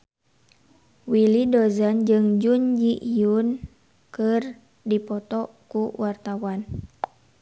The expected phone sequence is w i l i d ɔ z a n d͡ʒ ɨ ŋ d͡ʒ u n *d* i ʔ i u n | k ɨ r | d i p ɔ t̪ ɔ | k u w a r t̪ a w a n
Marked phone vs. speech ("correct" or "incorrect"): incorrect